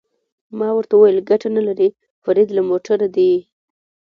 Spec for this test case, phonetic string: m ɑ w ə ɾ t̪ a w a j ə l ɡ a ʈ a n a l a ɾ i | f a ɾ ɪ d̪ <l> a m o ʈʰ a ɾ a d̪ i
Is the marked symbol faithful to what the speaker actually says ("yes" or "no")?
yes